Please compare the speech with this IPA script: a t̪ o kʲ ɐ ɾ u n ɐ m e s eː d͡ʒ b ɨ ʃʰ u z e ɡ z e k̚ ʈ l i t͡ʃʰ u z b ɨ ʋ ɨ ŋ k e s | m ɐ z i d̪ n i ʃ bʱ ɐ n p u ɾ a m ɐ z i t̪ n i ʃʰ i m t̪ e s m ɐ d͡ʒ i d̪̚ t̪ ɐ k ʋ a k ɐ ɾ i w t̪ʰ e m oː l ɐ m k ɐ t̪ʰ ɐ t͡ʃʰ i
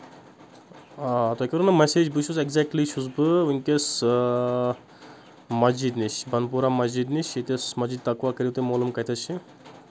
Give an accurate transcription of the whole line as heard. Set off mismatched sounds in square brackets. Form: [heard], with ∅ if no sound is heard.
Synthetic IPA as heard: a t̪ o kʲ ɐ ɾ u n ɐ m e s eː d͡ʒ b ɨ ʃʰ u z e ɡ z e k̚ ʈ l i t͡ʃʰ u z b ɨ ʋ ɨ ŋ k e s | m ɐ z i d̪ n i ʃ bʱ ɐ n p u ɾ a m ɐ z i [d̪] n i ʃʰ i [∅] t̪ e s m ɐ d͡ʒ i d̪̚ t̪ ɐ k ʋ a k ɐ ɾ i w [t̪] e m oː l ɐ m k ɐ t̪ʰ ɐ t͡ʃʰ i